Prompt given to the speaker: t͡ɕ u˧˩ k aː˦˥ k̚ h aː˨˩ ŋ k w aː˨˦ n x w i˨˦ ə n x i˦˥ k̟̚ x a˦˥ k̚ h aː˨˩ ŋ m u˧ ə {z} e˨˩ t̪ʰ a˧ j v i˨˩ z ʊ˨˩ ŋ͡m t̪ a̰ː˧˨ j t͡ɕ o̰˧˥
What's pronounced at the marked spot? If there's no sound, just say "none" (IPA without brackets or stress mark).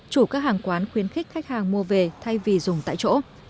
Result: v